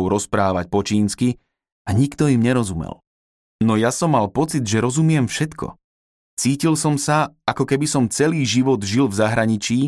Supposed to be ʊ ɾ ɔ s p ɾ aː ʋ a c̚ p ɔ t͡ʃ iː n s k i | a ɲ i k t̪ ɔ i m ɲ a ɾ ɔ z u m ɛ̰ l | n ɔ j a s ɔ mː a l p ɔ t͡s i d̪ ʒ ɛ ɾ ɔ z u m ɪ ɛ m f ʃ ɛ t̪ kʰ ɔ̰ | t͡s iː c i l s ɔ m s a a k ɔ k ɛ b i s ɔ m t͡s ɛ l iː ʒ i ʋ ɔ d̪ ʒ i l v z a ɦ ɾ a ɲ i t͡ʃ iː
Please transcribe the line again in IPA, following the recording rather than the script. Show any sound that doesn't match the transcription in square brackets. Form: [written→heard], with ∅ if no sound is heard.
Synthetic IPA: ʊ ɾ ɔ s p ɾ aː ʋ a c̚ p ɔ t͡ʃ iː n s k i | a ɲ i k t̪ ɔ i m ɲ [a→ɛ] ɾ ɔ z u m ɛ̰ l | n ɔ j a s ɔ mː a l p ɔ t͡s i d̪ ʒ ɛ ɾ ɔ z u m ɪ ɛ m f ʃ ɛ t̪ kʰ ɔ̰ | t͡s iː c i l s ɔ m s a a k ɔ k ɛ b i s ɔ m t͡s ɛ l iː ʒ i ʋ ɔ d̪ ʒ i l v z a ɦ ɾ a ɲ i t͡ʃ iː